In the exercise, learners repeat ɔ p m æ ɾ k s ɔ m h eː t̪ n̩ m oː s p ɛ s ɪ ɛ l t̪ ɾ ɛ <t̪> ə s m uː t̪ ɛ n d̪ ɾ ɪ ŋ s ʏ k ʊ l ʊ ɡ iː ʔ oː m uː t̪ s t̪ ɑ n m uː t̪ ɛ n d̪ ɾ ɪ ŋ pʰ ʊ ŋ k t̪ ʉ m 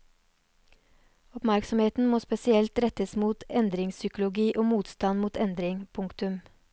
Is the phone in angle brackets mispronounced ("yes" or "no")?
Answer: no